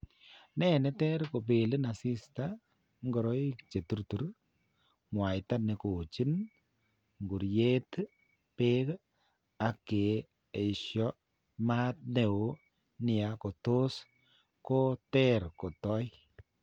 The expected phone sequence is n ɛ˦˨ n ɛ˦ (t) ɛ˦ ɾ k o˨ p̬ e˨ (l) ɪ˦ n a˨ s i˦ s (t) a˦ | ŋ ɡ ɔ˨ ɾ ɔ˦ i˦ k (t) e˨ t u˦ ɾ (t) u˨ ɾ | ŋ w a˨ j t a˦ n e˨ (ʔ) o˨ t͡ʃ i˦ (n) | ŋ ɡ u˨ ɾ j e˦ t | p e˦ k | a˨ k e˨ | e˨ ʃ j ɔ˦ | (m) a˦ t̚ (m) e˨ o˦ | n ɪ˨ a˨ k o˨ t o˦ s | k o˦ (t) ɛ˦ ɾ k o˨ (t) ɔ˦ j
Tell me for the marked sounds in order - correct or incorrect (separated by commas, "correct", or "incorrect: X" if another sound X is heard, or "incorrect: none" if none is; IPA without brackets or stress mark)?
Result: correct, correct, correct, incorrect: t͡ʃ, correct, incorrect: k, correct, correct, incorrect: n, correct, correct